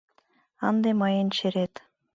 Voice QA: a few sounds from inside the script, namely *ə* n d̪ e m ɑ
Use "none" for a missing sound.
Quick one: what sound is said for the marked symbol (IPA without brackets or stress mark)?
ɑ